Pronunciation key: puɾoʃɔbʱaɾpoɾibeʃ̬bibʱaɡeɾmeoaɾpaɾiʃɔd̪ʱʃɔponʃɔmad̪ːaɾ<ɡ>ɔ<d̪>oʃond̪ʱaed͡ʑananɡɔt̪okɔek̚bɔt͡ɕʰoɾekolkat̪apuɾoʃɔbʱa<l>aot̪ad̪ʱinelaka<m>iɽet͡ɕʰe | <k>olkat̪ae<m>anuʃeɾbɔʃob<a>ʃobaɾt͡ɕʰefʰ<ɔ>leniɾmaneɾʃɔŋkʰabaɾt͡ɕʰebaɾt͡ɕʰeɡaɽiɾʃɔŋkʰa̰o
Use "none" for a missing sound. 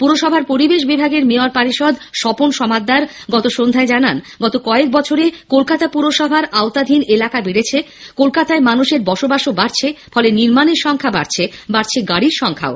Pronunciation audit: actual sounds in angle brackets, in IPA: ɡ, t̪, ɾ, b, k, m, a, ɔ

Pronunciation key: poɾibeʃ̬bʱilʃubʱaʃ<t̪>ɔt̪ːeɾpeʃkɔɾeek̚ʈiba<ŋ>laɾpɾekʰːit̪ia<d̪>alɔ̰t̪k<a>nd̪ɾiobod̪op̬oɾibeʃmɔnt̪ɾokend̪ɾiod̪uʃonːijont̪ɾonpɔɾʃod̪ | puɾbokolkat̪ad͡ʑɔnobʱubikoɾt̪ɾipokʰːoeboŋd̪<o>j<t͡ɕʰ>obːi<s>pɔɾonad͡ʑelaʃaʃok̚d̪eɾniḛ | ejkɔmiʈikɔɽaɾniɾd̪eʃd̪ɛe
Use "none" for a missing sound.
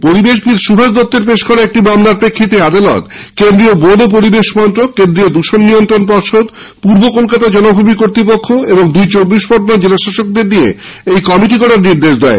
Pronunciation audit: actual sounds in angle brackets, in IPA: d̪, m, d̪, e, u, t͡ɕ, ʃ

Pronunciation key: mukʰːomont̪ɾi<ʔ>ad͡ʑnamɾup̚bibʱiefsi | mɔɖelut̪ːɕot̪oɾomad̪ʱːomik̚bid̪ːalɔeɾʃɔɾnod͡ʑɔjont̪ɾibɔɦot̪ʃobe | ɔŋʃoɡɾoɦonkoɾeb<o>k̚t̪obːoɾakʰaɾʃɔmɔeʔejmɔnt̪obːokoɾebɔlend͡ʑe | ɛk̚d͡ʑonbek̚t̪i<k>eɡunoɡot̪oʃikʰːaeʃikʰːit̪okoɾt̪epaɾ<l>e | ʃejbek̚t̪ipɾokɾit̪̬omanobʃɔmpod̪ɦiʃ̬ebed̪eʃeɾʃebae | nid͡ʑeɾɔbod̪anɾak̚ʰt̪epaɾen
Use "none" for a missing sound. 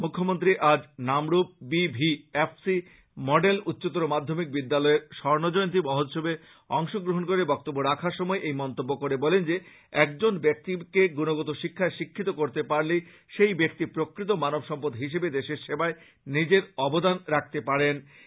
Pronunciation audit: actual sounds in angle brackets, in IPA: ʔ, ɔ, k, l

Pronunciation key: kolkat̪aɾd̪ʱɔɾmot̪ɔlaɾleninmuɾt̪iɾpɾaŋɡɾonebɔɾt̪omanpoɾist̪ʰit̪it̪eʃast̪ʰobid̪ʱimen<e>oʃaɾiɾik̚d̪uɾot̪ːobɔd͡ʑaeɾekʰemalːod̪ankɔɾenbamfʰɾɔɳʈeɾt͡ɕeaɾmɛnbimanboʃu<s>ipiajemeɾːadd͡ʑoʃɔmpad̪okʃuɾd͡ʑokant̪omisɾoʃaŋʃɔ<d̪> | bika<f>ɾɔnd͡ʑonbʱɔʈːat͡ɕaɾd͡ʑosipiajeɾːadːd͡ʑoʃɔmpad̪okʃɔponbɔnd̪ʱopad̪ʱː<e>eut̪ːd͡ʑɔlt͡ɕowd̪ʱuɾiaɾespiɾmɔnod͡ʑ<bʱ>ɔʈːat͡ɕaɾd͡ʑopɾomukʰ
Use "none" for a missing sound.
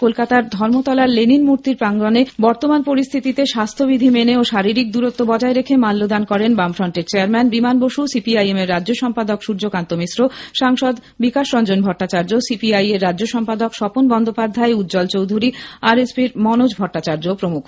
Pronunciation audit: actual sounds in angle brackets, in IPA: e, s, d̪, ʃ, a, bʱ

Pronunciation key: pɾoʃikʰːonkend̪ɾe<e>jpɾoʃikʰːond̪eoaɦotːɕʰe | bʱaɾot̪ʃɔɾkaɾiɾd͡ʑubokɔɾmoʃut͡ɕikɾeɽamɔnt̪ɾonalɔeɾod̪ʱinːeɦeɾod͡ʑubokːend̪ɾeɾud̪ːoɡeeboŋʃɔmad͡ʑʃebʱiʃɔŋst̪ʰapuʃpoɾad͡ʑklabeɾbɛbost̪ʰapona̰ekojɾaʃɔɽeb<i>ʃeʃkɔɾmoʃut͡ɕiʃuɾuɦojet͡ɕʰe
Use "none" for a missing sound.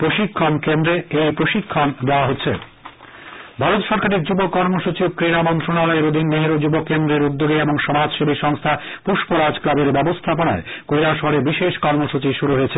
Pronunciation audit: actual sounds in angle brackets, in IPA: e, i

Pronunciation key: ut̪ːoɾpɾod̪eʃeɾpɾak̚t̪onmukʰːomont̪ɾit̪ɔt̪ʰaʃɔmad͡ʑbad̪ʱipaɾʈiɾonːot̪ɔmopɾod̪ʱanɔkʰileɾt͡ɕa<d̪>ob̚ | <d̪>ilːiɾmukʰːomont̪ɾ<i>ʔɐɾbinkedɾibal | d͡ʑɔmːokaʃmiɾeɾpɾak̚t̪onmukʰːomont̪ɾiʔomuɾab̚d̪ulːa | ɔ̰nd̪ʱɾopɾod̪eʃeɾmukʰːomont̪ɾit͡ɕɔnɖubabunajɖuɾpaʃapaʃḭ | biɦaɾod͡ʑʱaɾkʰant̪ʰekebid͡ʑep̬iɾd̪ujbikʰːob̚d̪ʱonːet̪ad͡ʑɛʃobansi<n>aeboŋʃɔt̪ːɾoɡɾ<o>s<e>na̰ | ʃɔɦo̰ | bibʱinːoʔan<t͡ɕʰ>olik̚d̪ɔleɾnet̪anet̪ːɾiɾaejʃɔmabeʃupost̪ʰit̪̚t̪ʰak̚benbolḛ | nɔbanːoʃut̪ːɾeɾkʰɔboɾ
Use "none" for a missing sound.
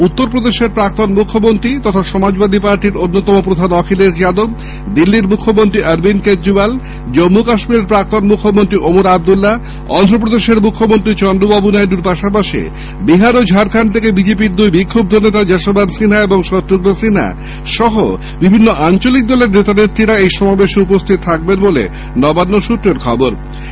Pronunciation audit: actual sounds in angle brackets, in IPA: d̪, d̪, i, n, o, i, t͡ɕ

